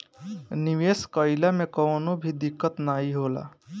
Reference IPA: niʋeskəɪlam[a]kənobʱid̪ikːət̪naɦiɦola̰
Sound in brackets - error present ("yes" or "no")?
yes